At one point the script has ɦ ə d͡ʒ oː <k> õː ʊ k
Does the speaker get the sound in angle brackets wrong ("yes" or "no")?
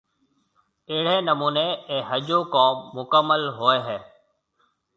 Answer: no